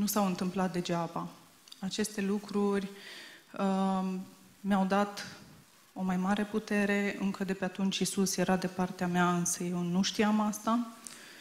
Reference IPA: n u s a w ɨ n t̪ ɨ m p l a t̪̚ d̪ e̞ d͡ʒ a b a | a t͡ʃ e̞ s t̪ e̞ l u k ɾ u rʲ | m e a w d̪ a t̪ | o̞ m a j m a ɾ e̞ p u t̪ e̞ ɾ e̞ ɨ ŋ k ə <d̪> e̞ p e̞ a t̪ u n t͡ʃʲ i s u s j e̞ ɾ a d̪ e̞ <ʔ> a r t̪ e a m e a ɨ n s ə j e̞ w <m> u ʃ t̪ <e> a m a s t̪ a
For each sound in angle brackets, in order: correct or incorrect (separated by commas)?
correct, incorrect, incorrect, incorrect